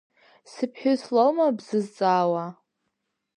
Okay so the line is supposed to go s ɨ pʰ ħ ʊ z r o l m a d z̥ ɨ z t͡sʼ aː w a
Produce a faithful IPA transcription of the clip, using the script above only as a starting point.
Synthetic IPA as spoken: s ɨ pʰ ħ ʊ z l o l m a b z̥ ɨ z t͡sʼ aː w a